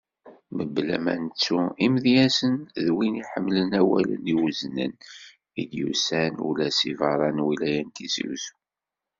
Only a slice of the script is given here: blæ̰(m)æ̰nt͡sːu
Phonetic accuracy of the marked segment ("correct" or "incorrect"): correct